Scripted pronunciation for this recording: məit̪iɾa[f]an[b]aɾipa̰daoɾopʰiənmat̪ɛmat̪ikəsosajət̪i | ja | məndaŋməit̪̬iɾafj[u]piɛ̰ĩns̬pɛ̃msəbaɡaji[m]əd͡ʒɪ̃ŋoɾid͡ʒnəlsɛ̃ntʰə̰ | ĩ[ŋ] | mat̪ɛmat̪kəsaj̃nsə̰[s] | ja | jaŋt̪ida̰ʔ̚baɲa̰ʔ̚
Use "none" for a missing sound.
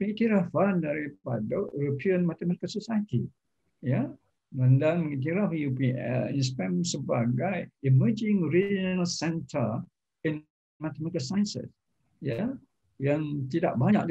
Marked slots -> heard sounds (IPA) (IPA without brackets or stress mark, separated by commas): f, d, u, m, n, s